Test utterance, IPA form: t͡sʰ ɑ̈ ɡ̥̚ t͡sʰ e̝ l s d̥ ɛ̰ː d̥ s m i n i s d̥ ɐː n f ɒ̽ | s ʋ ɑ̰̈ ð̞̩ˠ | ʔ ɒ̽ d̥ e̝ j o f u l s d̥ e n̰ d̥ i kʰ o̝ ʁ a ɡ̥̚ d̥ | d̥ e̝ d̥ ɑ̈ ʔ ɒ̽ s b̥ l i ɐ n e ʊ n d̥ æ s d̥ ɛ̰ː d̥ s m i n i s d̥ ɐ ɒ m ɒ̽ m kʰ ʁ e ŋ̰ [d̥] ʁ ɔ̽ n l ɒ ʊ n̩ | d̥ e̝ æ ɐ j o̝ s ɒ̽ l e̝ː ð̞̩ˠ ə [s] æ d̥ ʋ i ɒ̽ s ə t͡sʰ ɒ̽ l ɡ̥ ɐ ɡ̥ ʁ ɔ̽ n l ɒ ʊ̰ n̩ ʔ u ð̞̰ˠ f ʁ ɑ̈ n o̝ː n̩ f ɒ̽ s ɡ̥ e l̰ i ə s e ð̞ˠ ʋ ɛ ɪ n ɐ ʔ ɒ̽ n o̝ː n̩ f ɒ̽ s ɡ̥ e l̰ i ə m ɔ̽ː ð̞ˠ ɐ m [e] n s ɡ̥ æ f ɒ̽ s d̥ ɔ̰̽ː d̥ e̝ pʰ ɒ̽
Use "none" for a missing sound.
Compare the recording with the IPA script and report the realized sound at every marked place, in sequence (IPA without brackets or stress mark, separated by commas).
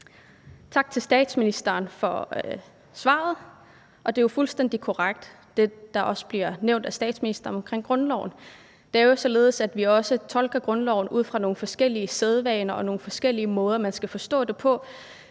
ɡ̥, s, æ